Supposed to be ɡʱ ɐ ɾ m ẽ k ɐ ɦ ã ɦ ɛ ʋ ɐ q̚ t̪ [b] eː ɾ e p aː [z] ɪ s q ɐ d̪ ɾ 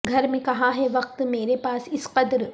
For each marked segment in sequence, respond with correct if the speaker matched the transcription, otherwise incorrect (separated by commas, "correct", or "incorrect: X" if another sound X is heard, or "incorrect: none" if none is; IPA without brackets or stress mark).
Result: incorrect: m, incorrect: s